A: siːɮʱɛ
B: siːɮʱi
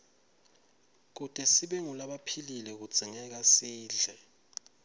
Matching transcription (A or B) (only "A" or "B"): A